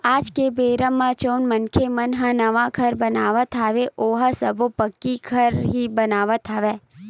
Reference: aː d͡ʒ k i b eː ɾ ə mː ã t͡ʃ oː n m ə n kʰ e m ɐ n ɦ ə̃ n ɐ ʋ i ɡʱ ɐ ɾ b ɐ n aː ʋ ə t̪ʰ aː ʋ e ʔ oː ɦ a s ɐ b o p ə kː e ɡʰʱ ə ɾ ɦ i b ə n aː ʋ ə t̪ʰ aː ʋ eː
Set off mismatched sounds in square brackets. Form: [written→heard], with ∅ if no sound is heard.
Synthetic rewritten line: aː d͡ʒ k [i→e] b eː ɾ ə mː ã t͡ʃ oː n m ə n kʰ e m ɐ n ɦ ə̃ n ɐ ʋ [i→a] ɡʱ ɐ ɾ b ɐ n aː ʋ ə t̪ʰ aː ʋ e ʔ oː ɦ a s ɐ b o p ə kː [e→i] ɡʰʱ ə ɾ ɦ i b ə n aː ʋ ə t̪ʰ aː ʋ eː